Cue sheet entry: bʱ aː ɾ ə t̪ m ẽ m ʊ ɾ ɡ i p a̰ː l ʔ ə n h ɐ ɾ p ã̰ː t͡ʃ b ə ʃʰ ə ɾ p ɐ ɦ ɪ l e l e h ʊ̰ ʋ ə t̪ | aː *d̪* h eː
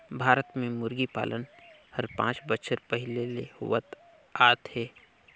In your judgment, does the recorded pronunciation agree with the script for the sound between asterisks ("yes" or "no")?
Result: no